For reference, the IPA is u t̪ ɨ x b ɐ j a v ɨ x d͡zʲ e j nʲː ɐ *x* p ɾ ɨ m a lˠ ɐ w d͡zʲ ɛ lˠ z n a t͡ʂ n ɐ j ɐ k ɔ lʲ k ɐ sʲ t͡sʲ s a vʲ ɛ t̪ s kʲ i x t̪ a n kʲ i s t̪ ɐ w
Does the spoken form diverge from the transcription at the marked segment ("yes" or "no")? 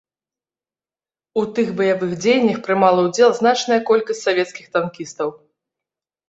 no